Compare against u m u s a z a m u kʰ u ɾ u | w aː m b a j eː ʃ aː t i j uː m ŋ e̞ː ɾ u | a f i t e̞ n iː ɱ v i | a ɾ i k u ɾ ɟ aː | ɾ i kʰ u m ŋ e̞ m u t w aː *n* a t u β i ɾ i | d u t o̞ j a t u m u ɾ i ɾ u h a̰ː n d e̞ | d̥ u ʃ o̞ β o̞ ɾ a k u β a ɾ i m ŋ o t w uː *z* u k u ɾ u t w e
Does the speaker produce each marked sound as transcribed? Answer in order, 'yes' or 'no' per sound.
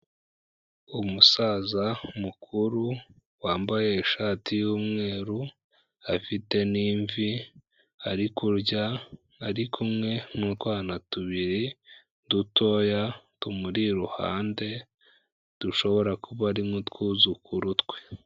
yes, yes

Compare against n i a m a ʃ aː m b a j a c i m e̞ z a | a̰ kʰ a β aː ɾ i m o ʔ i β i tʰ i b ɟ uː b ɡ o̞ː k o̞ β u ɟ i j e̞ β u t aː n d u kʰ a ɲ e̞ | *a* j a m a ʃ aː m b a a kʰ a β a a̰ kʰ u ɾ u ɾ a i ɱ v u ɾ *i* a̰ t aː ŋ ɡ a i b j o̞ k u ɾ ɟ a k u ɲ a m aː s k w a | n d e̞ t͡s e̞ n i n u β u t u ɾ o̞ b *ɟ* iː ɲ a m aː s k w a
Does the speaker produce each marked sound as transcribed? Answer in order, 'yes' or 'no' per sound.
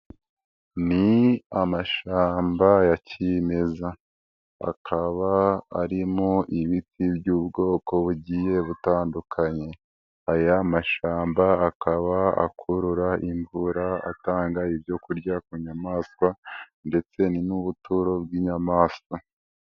yes, no, no

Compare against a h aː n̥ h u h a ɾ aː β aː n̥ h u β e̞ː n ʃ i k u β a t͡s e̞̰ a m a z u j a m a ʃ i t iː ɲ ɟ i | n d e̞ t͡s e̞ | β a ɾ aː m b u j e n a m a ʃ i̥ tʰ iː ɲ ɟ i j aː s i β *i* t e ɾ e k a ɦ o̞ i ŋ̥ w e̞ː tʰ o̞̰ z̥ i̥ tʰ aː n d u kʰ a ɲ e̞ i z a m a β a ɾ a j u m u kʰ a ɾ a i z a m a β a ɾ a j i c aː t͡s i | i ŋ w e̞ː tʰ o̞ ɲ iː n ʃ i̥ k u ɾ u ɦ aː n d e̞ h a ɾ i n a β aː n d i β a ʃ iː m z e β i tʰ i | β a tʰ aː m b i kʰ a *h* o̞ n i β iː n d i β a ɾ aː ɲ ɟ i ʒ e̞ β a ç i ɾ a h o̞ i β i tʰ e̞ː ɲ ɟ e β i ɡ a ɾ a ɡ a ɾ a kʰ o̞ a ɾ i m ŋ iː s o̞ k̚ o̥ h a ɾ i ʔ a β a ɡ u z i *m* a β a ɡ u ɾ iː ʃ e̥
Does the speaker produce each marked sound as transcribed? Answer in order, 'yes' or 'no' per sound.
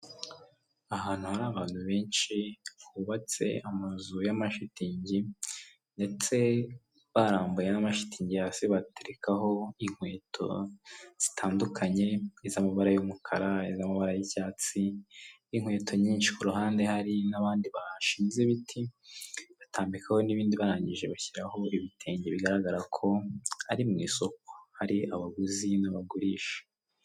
no, yes, no

